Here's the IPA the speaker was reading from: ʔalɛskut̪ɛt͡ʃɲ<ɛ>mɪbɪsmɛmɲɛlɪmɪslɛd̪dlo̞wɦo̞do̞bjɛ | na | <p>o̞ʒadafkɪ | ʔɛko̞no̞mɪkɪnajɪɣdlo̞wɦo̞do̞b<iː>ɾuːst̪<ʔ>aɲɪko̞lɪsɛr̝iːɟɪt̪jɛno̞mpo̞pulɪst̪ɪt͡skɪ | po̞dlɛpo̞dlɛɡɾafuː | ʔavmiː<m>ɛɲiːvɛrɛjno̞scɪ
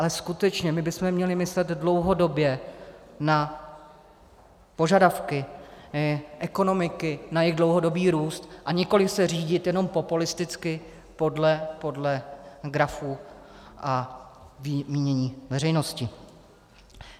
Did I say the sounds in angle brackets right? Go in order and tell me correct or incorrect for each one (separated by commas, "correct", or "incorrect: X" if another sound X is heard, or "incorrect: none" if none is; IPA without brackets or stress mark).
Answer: correct, correct, correct, correct, incorrect: ɲ